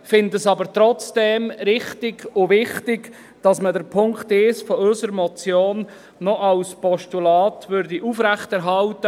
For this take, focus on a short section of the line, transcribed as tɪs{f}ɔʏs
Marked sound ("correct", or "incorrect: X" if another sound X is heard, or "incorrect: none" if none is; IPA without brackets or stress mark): correct